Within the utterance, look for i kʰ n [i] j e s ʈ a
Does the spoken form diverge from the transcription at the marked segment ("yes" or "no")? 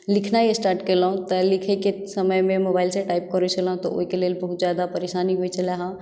yes